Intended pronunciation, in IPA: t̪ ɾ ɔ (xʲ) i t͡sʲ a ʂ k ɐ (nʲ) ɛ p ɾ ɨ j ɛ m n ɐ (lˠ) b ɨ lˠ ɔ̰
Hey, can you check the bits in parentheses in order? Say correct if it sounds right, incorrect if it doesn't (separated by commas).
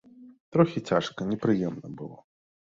correct, correct, incorrect